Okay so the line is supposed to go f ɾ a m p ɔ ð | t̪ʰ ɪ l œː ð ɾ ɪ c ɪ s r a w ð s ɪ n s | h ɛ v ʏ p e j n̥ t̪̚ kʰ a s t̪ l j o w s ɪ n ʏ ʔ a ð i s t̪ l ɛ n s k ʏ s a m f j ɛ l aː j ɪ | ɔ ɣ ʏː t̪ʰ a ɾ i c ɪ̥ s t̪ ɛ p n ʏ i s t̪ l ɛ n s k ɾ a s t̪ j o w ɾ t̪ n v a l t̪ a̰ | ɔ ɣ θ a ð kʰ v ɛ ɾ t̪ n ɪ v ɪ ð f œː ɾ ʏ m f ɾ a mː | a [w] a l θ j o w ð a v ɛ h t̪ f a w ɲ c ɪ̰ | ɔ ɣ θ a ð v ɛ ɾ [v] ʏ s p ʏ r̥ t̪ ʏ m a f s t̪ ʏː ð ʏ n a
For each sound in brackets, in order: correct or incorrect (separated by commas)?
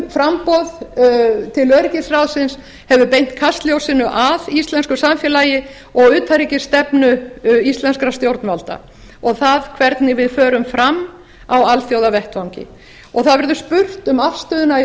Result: correct, incorrect